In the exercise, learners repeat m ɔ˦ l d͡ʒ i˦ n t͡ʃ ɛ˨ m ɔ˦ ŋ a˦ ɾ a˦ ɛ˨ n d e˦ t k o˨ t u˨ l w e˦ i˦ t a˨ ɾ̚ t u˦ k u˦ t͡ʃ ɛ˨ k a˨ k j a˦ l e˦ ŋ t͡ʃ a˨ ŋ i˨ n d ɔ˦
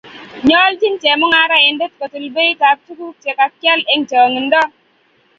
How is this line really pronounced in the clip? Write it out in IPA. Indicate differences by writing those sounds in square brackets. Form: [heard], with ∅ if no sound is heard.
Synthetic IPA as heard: [ɲ] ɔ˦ l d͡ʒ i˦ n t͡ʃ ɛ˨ m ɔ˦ ŋ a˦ ɾ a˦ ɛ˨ n d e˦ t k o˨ t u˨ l [b] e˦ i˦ t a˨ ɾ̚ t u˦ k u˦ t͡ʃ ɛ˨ k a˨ k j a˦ l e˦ ŋ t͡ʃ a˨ ŋ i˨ n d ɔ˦